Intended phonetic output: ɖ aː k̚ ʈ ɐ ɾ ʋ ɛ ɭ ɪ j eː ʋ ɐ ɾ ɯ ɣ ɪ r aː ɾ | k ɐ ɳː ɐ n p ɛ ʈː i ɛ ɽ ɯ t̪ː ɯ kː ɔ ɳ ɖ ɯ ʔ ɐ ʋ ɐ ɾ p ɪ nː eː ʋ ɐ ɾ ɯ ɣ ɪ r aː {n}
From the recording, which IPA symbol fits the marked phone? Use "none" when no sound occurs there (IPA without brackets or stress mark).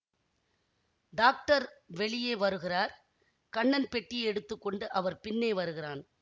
n